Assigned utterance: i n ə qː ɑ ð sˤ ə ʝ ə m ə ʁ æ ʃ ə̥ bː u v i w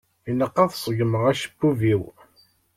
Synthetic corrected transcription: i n ə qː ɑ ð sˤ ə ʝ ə m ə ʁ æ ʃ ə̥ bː u v i w